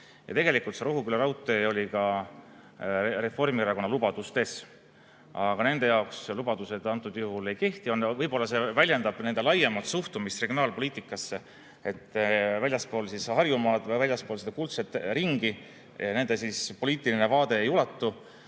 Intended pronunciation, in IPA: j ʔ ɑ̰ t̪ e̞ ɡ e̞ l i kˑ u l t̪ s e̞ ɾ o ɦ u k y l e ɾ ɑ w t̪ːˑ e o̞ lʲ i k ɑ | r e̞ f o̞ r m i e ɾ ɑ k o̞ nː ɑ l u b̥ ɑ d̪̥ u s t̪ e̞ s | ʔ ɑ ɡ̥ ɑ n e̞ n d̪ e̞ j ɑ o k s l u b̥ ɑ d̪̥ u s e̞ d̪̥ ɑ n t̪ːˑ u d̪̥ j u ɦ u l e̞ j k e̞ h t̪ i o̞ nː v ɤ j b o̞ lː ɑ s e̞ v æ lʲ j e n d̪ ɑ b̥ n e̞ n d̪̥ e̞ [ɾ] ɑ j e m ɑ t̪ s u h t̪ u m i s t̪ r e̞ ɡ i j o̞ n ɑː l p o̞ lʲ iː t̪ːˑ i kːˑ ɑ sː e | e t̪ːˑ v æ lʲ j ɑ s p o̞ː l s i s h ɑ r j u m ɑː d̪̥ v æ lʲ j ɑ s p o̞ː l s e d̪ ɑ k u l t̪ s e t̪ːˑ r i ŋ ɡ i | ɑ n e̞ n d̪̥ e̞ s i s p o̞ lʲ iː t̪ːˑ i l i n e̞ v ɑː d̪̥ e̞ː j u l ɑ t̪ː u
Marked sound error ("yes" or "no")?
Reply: yes